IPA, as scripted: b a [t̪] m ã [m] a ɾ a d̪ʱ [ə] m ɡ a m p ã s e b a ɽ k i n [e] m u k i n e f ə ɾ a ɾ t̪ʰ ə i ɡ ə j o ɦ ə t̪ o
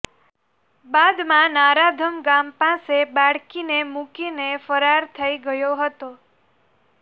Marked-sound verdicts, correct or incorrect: incorrect, incorrect, correct, correct

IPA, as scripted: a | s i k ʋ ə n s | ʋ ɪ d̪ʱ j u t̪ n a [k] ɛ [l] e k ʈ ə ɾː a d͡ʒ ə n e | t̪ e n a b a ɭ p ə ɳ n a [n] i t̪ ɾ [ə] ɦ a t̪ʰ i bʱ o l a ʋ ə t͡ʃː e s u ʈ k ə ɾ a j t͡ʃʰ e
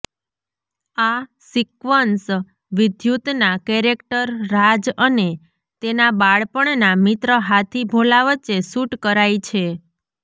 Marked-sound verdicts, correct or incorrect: correct, incorrect, incorrect, correct

